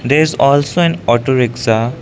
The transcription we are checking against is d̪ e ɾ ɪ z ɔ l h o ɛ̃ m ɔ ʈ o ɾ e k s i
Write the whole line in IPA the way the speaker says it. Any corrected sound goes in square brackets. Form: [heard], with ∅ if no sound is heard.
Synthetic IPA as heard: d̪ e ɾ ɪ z ɔ l [s] o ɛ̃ [n] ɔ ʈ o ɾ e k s [a]